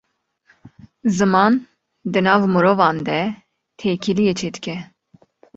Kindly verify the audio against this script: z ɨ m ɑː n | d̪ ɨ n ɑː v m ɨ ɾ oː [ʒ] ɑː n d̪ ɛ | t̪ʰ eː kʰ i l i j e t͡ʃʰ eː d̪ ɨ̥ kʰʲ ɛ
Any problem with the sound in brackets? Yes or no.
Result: yes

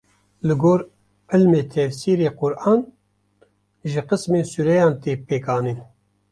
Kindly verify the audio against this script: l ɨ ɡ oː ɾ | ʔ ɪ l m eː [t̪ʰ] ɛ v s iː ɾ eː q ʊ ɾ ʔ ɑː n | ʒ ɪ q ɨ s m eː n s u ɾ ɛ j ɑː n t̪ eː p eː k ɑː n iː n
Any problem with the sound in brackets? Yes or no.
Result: no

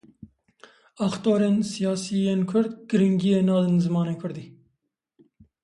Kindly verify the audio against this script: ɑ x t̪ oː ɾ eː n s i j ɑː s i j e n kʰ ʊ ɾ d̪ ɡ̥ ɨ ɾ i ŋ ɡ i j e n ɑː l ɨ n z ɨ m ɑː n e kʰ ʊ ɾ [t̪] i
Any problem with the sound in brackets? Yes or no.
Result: yes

